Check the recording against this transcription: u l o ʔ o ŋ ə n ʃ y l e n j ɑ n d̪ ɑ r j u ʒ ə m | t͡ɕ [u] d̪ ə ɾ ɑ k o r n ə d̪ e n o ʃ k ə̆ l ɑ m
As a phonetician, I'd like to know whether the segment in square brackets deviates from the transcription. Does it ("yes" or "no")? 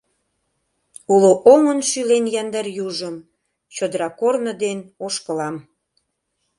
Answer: yes